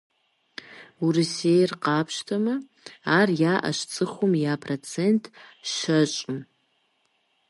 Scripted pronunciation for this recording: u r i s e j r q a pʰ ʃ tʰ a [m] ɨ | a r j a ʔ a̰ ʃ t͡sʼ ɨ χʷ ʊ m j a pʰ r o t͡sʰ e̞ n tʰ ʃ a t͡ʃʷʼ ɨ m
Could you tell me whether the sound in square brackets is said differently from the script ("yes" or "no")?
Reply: no